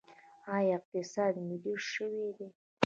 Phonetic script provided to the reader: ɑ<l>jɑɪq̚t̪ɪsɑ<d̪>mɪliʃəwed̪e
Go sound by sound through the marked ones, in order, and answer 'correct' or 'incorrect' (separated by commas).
incorrect, correct